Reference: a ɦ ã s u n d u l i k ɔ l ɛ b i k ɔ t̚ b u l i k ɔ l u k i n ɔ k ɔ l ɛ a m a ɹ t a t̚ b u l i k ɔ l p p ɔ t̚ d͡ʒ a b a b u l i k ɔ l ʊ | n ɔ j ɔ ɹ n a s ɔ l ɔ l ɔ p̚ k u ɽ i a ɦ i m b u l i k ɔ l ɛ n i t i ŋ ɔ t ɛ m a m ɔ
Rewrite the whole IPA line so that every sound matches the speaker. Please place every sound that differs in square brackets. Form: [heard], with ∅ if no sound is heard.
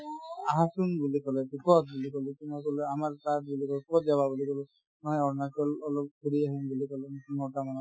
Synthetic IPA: a ɦ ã s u n [b] u l i k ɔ l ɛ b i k ɔ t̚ b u l i k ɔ l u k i n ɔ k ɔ l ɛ a m a ɹ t a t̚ b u l i k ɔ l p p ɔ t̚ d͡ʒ a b a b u l i k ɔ l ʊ | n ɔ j ɔ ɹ n a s ɔ l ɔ l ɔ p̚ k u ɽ i a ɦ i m b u l i k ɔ l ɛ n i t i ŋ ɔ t [a] m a [n] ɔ